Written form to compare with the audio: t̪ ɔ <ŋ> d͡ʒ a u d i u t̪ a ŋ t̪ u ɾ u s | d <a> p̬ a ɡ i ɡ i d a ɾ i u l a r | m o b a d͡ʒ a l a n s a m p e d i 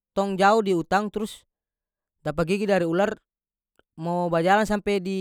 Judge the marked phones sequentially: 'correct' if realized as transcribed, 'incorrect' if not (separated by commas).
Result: correct, correct